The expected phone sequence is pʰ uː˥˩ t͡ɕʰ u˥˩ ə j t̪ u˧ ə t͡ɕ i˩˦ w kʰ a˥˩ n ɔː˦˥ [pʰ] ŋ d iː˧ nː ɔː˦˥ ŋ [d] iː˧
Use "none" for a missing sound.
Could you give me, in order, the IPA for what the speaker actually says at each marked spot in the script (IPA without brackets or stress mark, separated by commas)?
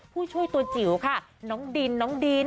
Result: none, d